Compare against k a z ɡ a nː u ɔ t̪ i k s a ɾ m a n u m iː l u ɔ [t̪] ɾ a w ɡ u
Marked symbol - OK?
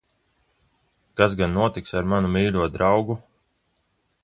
no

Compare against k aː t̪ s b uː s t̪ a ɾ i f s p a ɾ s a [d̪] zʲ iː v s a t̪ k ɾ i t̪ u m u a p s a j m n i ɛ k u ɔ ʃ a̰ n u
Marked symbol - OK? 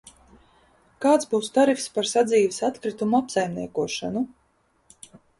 yes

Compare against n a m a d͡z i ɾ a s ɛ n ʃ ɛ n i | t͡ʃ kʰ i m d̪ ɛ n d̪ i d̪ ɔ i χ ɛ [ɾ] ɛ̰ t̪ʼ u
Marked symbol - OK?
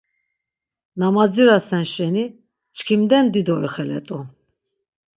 no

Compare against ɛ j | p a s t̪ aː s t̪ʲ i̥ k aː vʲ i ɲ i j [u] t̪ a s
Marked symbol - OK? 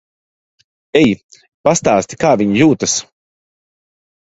no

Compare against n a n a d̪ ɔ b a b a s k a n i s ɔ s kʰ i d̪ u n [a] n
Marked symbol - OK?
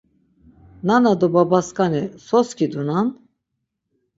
yes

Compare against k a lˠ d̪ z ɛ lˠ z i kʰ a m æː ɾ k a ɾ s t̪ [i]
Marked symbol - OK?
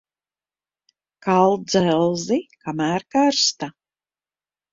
no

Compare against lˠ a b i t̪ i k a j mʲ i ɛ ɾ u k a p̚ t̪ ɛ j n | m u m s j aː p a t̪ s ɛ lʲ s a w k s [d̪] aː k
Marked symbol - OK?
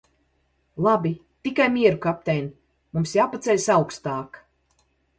no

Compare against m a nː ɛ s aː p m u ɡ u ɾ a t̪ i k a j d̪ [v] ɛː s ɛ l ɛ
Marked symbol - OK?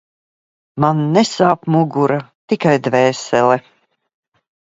yes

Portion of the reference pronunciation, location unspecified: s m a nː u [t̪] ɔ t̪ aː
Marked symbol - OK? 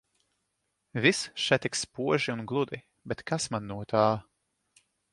no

